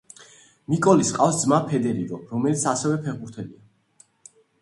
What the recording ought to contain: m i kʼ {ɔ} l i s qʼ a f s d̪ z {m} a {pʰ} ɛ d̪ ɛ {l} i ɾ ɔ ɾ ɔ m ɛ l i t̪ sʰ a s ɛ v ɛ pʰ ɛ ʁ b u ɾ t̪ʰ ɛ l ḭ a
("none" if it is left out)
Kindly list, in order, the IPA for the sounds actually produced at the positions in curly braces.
ɔ, m, pʰ, ɾ

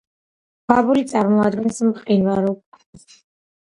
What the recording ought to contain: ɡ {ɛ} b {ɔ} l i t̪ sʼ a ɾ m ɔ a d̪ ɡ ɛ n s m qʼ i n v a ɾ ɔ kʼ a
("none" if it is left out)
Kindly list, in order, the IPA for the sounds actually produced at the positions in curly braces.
a, u

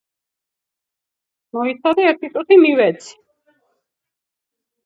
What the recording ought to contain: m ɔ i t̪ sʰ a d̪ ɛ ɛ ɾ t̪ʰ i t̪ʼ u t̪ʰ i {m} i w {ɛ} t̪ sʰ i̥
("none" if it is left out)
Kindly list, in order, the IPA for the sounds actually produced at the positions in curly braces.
m, ɛ

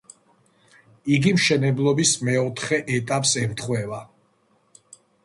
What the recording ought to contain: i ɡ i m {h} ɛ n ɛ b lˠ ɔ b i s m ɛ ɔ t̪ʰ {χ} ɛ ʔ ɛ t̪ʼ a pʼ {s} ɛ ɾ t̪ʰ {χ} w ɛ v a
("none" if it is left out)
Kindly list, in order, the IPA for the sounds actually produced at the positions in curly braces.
ʃ, χ, s, χ

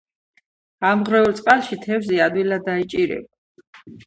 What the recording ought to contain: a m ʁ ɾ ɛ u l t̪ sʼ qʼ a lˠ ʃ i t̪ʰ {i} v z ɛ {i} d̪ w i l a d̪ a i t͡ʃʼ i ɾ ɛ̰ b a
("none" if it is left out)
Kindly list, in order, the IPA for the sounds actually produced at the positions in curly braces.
ɛ, a

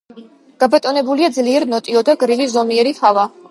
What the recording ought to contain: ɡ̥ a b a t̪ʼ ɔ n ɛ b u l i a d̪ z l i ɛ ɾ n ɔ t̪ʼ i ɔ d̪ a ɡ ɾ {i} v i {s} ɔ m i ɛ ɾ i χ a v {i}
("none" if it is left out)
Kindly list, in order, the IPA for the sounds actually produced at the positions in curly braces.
i, z, a

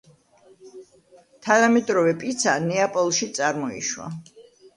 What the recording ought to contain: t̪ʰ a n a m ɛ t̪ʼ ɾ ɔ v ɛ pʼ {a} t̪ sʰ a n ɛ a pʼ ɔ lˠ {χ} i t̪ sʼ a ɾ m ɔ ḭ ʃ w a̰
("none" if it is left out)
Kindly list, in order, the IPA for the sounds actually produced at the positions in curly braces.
i, ʃ

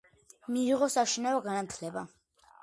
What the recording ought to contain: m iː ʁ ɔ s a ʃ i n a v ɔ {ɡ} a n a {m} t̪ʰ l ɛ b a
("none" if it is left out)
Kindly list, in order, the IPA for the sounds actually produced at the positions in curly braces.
ɡ, none

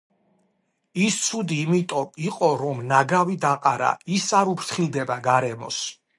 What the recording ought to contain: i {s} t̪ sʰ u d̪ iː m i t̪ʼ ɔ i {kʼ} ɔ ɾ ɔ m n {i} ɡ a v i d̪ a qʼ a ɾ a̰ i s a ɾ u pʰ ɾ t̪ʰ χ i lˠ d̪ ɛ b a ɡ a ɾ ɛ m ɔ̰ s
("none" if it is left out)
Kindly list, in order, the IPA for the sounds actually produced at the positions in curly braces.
s, qʼ, a

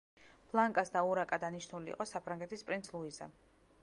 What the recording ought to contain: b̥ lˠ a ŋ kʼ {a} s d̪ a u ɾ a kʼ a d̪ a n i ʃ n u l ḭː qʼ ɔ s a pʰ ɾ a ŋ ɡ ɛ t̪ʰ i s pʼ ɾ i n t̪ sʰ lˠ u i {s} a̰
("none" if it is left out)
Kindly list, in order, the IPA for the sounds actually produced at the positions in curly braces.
a, z

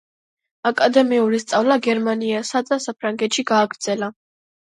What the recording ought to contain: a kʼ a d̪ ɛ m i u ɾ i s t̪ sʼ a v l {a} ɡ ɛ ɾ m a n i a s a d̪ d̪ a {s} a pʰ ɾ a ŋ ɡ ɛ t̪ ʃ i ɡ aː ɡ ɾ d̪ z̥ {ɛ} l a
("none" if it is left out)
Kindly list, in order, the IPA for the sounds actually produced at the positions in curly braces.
a, s, ɛ

